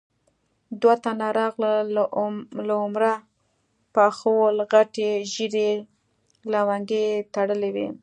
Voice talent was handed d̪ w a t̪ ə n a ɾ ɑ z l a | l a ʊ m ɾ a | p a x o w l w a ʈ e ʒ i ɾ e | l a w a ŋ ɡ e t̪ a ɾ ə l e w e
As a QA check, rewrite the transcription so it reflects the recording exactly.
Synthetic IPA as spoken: d̪ w a t̪ a n a ɾ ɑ ɣ l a | l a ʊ m ɾ a | p a x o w l ɣ a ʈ e ʒ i ɾ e | l a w a ŋ ɡ e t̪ a ɽ ə l e w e